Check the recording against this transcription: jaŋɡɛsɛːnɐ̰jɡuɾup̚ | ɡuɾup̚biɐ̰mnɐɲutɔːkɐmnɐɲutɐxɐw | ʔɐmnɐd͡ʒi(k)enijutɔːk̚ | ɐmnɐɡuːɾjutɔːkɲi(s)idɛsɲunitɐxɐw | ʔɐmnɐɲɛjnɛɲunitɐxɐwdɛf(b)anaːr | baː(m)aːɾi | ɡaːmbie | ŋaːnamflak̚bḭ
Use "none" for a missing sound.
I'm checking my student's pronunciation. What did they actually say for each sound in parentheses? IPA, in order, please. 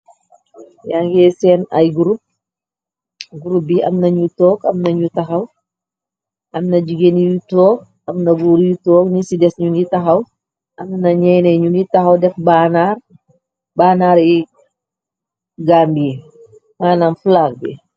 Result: ɡ, s, b, n

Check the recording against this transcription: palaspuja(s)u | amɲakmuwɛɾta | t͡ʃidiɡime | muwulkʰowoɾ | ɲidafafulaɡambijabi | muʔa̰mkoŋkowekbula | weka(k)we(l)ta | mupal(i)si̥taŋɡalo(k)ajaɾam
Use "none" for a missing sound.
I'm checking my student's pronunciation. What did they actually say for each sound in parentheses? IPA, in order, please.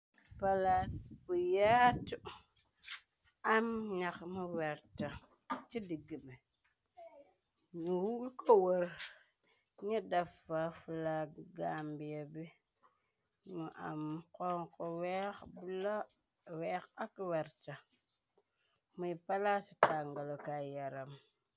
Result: t, k, ɾ, a, k

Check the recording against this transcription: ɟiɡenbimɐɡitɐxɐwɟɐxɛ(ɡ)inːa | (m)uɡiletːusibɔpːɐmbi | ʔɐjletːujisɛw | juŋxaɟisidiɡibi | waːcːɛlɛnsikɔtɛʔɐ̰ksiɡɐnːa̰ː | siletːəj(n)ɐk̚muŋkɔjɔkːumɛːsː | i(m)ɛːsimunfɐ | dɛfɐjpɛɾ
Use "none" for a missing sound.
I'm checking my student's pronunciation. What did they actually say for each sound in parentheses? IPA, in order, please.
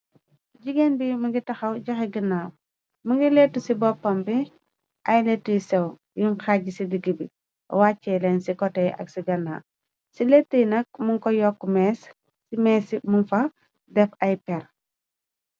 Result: ɡ, m, n, m

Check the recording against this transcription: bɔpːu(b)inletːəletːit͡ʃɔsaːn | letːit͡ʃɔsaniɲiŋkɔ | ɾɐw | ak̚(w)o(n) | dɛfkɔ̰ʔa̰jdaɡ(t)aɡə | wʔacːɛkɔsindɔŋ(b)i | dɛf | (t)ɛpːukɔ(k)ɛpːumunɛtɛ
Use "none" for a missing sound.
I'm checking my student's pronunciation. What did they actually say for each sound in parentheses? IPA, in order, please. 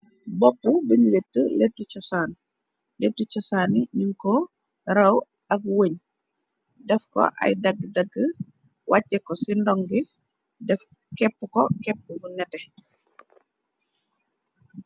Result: b, w, ɲ, d, ɡ, k, k

